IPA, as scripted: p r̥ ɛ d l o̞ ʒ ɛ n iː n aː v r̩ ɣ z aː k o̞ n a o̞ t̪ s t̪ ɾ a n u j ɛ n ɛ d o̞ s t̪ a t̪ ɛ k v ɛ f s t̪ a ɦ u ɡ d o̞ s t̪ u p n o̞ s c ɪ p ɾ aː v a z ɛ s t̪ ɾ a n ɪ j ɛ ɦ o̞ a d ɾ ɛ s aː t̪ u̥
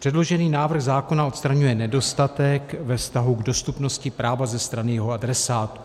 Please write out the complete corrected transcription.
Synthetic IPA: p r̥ ɛ d l o̞ ʒ ɛ n iː n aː v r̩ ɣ z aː k o̞ n a o̞ t̪ s t̪ ɾ a ɲ u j ɛ n ɛ d o̞ s t̪ a t̪ ɛ k v ɛ f s t̪ a ɦ u ɡ d o̞ s t̪ u p n o̞ s c ɪ p ɾ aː v a z ɛ s t̪ ɾ a n ɪ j ɛ ɦ o̞ a d ɾ ɛ s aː t̪ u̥